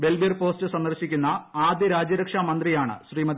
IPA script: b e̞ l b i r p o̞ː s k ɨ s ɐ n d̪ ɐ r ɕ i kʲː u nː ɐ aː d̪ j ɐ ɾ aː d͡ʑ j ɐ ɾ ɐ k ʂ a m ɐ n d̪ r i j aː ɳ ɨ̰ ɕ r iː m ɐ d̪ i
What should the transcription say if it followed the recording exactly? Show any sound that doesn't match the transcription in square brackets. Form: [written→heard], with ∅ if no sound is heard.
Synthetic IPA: b e̞ l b i r p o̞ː s [k→t] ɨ s ɐ n d̪ ɐ r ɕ i kʲː u nː ɐ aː d̪ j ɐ ɾ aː d͡ʑ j ɐ ɾ ɐ k ʂ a m ɐ n d̪ r i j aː ɳ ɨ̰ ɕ r iː m ɐ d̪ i

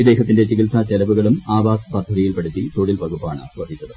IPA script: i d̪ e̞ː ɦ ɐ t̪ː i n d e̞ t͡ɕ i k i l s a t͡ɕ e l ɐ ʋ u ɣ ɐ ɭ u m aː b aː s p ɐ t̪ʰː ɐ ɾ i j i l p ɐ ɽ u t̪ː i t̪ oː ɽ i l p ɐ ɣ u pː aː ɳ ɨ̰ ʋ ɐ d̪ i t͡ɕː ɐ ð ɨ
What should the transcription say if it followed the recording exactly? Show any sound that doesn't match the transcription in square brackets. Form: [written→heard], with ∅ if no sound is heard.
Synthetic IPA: i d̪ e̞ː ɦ ɐ t̪ː i n d e̞ t͡ɕ i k i l s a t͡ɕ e l ɐ ʋ u ɣ ɐ ɭ u m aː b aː s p ɐ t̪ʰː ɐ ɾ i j i l p ɐ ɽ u t̪ː i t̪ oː ɽ i l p ɐ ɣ u pː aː ɳ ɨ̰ ʋ ɐ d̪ i t͡ɕː ɐ ð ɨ

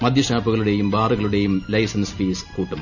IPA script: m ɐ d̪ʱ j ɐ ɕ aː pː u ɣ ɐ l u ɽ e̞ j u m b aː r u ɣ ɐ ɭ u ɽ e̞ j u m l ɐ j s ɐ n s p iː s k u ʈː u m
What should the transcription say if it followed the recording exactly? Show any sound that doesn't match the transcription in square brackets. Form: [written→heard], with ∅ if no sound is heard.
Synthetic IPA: m ɐ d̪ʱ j ɐ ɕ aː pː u ɣ ɐ [l→ɭ] u ɽ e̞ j u m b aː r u ɣ ɐ ɭ u ɽ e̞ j u m l ɐ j s ɐ n s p iː s k [u→uː] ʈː u m

